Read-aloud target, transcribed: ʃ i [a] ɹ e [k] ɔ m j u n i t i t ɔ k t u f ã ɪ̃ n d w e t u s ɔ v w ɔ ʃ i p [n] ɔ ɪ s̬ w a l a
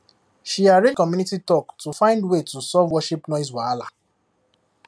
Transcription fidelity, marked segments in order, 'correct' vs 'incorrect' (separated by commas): correct, correct, correct